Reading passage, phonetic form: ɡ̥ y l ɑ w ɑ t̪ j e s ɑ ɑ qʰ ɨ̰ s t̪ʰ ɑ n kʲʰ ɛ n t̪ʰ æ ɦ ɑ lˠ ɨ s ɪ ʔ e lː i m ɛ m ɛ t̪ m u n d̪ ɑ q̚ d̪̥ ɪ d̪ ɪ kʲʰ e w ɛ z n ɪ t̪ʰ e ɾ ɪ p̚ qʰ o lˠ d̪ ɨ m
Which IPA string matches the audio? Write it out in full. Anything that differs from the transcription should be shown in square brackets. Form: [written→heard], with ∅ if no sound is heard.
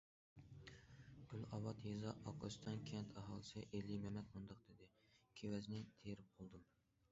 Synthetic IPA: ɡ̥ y l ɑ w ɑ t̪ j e [s→z] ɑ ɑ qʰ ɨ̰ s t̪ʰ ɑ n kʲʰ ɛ n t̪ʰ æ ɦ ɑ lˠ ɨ s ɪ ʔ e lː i m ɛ m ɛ t̪ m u n d̪ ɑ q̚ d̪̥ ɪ d̪ ɪ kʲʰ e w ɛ z n ɪ t̪ʰ e ɾ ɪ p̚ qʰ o lˠ d̪ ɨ m